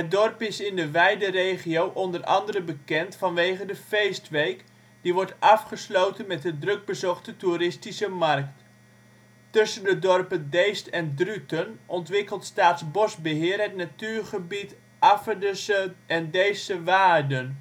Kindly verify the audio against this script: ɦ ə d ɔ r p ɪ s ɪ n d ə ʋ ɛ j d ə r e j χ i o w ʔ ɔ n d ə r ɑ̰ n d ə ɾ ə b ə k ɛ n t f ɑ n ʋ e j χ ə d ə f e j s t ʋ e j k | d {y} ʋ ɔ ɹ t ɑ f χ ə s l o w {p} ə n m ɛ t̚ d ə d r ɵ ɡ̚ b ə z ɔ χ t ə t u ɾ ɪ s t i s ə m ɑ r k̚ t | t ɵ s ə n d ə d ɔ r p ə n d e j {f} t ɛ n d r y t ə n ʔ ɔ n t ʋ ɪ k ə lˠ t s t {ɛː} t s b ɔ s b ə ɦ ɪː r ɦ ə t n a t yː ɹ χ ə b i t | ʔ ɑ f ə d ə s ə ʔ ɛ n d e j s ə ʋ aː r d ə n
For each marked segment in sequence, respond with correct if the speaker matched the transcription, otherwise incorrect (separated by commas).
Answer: incorrect, incorrect, incorrect, incorrect